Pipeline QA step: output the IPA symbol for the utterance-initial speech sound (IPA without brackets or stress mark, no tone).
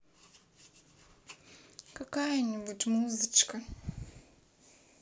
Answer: k